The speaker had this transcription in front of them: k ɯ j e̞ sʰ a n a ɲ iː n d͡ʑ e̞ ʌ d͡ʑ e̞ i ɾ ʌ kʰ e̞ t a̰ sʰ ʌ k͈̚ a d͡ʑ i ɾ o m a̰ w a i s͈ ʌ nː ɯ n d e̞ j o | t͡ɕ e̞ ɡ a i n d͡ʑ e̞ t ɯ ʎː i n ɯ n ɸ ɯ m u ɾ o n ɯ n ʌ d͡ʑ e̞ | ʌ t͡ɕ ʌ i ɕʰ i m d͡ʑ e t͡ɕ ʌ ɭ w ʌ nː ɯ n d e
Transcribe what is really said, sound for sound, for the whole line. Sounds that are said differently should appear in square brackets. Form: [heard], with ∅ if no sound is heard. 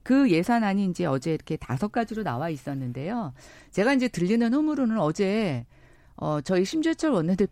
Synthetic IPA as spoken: k ɯ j e̞ sʰ a n a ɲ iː n d͡ʑ e̞ ʌ d͡ʑ e̞ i ɾ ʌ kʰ e̞ t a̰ sʰ ʌ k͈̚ a d͡ʑ i ɾ o [n] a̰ w a i s͈ ʌ nː ɯ n d e̞ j o | t͡ɕ e̞ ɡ a i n d͡ʑ e̞ t ɯ ʎː i n ɯ n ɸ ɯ m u ɾ o n ɯ n ʌ d͡ʑ e̞ | ʌ t͡ɕ ʌ i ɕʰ i m d͡ʑ e [t͡ɕʰ] ʌ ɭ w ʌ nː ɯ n d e